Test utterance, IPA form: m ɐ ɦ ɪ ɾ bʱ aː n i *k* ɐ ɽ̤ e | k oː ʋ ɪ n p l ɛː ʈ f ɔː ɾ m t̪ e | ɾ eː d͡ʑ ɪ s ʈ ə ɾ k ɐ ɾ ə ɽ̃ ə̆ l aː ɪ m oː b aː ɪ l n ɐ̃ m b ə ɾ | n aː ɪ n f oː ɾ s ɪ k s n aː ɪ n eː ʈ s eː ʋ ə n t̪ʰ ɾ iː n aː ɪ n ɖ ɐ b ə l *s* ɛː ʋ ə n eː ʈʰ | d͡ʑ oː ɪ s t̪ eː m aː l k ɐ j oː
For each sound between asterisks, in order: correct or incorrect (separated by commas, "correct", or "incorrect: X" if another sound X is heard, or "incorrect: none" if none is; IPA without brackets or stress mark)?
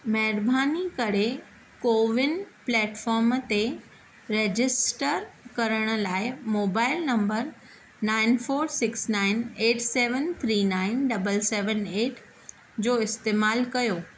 correct, correct